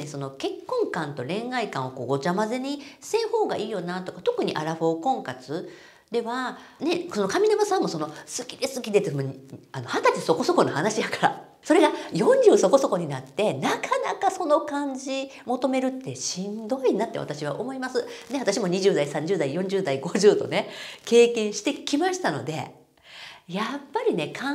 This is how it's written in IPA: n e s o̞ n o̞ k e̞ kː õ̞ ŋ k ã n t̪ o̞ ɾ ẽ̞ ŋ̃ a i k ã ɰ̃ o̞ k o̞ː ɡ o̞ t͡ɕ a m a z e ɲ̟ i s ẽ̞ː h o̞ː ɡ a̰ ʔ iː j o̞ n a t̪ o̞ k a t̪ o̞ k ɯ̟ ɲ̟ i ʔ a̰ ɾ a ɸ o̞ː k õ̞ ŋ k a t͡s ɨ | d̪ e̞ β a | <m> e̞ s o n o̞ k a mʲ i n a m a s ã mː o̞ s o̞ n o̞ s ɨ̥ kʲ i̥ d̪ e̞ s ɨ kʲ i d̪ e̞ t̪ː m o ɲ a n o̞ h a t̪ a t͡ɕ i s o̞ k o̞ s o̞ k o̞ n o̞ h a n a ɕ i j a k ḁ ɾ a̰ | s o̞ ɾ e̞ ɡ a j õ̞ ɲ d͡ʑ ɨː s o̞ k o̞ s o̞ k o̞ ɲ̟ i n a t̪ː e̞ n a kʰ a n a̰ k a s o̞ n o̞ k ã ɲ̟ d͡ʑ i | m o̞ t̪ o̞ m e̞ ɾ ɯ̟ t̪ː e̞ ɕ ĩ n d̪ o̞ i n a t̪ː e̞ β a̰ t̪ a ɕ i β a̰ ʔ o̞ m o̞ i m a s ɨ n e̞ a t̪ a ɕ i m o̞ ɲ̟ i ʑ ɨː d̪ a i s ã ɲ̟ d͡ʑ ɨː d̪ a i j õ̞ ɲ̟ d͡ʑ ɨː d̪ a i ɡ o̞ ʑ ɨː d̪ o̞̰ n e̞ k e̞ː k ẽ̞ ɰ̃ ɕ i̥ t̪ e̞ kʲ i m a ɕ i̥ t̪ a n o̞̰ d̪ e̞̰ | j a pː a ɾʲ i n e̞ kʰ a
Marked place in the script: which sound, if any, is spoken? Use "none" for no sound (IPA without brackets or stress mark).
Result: n